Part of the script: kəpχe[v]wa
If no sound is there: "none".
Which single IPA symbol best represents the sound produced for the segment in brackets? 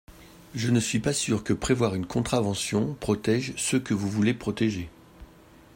v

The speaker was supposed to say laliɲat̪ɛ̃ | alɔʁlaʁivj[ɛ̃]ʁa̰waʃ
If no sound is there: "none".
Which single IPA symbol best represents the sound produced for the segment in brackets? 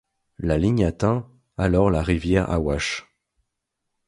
ɛ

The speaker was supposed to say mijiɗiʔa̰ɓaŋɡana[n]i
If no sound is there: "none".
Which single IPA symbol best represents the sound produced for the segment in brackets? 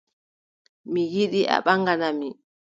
m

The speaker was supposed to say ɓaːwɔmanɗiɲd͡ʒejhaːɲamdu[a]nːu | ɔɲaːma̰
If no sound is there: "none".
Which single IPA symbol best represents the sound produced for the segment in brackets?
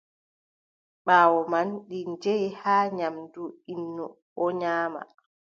i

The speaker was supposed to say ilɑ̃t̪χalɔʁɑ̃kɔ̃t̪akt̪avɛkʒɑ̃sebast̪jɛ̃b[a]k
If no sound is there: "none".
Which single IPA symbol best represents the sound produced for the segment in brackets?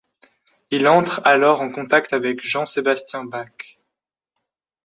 a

